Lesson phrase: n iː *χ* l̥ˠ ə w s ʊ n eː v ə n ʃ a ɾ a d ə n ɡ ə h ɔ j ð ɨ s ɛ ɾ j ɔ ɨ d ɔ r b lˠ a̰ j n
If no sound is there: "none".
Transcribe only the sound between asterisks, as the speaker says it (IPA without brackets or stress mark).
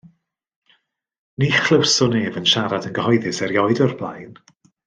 χ